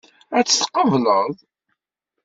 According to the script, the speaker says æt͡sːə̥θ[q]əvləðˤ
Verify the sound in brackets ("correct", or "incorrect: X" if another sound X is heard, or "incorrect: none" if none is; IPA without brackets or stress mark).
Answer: correct